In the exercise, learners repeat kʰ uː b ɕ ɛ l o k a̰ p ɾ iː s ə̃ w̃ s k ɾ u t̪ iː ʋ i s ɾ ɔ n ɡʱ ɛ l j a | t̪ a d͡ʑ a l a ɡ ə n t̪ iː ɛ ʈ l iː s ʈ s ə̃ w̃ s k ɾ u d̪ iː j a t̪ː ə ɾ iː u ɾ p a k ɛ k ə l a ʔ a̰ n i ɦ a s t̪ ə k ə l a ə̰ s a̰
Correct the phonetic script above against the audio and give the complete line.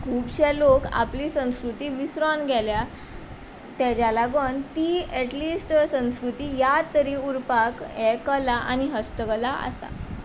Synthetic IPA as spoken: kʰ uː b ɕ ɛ l o k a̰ p l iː s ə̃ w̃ s k ɾ u t̪ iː ʋ i s ɾ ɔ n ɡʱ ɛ l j a | t̪ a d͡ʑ a l a ɡ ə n t̪ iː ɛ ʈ l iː s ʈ s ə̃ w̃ s k ɾ u t̪ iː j a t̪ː ə ɾ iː u ɾ p a k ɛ k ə l a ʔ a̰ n i ɦ ə s t̪ ə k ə l a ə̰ s a̰